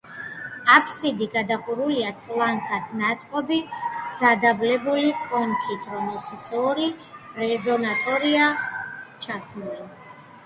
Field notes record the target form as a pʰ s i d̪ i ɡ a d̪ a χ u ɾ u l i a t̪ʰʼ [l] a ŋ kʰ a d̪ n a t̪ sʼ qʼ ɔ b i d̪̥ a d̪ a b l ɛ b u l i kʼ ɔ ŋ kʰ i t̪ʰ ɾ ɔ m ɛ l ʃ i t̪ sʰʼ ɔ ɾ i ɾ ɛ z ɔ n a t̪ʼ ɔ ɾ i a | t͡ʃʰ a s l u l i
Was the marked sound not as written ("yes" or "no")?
no